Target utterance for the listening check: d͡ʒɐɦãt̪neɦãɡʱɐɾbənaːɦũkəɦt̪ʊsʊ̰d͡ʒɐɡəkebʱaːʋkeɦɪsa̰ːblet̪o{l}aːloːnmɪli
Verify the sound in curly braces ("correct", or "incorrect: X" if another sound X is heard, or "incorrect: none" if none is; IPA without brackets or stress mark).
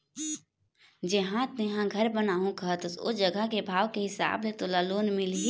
correct